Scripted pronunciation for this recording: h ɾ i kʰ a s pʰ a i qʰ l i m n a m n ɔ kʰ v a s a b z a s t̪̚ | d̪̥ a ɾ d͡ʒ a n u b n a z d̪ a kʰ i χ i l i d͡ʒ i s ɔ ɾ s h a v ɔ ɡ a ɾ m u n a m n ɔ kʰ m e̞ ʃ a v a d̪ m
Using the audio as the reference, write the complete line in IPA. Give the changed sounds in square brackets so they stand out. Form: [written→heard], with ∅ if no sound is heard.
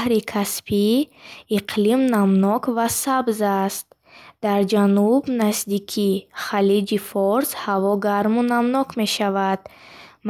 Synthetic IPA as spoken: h ɾ i kʰ a s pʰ [a→i] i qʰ l i m n a m n ɔ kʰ v a s a b z a s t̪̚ | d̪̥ a ɾ d͡ʒ a n u b n a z d̪ [a→i] kʰ i χ [i→a] l i d͡ʒ i [s→f] ɔ ɾ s h a v ɔ ɡ a ɾ m u n a m n ɔ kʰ m e̞ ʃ a v a d̪ m